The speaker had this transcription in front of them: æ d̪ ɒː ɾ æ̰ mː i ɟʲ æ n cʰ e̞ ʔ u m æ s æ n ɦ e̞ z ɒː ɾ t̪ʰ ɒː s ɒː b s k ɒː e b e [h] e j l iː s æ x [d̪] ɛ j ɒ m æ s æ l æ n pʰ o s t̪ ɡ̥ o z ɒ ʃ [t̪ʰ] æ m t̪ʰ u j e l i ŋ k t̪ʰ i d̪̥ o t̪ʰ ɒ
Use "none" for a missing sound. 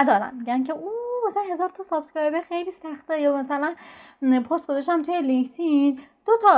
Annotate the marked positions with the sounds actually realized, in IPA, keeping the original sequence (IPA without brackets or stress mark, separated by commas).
x, t̪, t̪